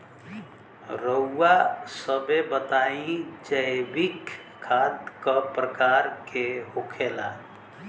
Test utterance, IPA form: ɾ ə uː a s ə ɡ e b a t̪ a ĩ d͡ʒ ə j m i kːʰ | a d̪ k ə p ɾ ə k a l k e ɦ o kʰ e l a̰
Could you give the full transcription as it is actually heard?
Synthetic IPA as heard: ɾ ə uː a s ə b e b ə t̪ a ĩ d͡ʒ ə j b i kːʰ | a d̪ k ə p ɾ ə k a ɾ k e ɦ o kʰ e l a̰

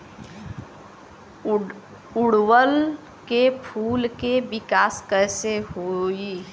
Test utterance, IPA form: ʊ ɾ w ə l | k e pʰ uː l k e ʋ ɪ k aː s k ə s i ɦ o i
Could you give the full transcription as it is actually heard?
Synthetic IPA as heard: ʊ ɽ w ə l | k e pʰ uː l k e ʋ ɪ k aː s k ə s e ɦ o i

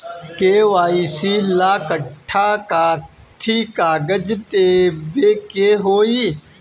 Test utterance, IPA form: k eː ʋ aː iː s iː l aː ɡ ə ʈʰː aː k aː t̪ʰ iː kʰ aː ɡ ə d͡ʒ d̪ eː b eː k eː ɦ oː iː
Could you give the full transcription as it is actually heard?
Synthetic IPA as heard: k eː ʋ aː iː s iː l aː k ə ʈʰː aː k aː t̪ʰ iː k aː ɡ ə d͡ʒ t̪ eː b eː k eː ɦ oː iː

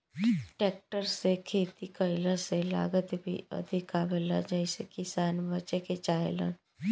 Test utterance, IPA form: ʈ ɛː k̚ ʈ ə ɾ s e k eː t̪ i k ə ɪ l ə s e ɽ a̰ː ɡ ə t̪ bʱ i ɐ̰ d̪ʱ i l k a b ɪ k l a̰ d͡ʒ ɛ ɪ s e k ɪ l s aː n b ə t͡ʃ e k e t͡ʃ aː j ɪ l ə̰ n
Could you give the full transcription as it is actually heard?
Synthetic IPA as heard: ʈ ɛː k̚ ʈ ə ɾ s e kʰ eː t̪ i k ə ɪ l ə s e l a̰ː ɡ ə t̪ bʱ i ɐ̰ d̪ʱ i k a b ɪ l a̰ d͡ʒ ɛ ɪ s e k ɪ s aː n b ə t͡ʃ e k e t͡ʃ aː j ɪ l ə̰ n

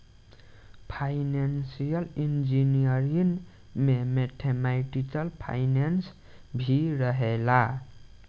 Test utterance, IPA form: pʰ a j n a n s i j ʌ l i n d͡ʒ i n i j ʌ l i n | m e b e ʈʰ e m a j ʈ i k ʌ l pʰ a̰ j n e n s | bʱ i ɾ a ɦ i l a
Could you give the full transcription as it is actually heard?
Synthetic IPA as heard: pʰ a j n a n s i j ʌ l i n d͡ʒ i n i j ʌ ɾ i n | m e m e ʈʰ e m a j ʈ i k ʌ l pʰ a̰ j n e n s | bʱ i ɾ ʌ ɦ e l a

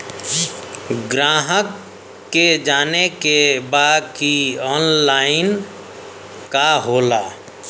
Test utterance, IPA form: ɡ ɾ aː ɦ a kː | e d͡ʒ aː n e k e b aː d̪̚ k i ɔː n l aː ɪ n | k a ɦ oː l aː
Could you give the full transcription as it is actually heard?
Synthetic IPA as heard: ɡ ɾ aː ɦ ə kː | e d͡ʒ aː n e k e b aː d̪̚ k i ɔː n l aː ɪ n | k a ɦ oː l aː

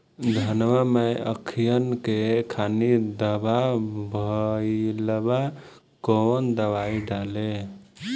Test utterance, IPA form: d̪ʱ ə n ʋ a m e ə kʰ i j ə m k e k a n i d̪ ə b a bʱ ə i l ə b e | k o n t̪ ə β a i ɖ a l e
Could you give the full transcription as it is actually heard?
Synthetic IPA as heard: d̪ʱ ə n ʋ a m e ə kʰ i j ə n k e kʰ a n i d̪ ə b a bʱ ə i l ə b a | k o n d̪ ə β a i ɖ a l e

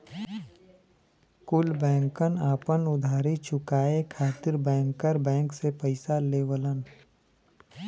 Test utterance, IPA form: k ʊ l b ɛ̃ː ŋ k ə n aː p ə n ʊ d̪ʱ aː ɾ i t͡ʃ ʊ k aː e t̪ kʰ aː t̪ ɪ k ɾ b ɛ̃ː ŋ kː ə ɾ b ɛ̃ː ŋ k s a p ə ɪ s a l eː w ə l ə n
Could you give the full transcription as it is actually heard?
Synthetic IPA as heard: k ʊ l b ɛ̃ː ŋ k ə n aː p ə n ʊ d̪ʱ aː ɾ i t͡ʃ ʊ k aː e kʰ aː t̪ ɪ ɾ b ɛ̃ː ŋ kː ə ɾ b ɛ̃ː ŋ k s e p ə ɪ s a l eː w ə l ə n

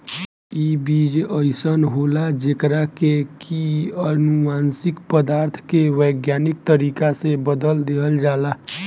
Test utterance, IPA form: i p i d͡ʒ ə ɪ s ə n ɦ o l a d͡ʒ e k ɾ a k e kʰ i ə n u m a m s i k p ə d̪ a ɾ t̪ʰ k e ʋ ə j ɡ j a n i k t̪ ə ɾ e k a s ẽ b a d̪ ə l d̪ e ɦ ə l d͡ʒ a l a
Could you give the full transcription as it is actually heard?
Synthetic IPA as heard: i b i d͡ʒ ə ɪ s ə n ɦ o l a d͡ʒ e k ɾ a k e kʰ i ə n u m a n s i k p ə d̪ a ɾ t̪ʰ k e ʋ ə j ɡ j a n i k t̪ ə ɾ i k a s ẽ b ə d̪ ə l d̪ e ɦ ə l d͡ʒ a l a

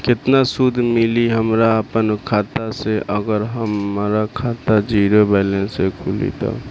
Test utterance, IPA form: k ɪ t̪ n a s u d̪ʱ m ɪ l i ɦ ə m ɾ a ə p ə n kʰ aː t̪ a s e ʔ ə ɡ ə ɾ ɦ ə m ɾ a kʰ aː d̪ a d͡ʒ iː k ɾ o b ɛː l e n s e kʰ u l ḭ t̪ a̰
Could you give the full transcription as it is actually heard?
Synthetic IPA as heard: k ɪ t̪ n a s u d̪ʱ m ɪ l i ɦ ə m ɾ a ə p ə n kʰ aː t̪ a s e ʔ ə ɡ ə ɾ ɦ ə m ɾ a kʰ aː t̪ a d͡ʒ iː ɾ o b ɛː l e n s e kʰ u l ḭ t̪ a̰

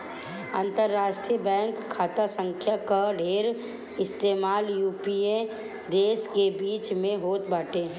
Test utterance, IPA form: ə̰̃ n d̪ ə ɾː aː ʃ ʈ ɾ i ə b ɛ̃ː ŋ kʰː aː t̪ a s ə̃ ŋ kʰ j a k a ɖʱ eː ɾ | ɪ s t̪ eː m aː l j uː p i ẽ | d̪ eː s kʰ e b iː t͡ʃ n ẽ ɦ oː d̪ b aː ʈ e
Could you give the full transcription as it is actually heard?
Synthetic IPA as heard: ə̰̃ n t̪ ə ɾː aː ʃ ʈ ɾ i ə b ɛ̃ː ŋ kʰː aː t̪ a s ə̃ ŋ kʰ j a k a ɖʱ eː ɾ | ɪ s t̪ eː m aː l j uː p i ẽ | d̪ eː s k e b iː t͡ʃ m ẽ ɦ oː t̪ b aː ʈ e

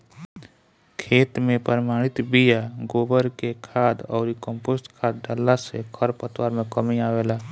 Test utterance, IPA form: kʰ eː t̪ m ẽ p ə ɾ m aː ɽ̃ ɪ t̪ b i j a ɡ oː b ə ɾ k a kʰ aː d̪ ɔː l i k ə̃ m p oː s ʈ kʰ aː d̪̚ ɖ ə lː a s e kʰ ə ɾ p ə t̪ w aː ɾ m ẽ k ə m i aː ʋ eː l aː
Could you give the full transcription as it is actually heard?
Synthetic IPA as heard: kʰ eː t̪ m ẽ p ə ɾ m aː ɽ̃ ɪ t̪ b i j a ɡ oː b ə ɾ k e kʰ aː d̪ ɔː ɾ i k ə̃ m p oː s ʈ kʰ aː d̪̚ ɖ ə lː a s e kʰ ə ɾ p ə t̪ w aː ɾ m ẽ k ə m i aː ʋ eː l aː

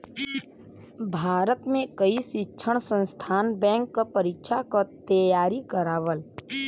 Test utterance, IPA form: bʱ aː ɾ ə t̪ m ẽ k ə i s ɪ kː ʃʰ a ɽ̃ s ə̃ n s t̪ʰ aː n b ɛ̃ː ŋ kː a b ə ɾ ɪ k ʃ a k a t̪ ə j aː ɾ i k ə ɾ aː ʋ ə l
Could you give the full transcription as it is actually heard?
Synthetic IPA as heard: bʱ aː ɾ ə t̪ m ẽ k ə i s ɪ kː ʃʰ ə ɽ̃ s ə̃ n s t̪ʰ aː n b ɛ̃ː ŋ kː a p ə ɾ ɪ k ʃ a k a t̪ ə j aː ɾ i k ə ɾ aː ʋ ə l

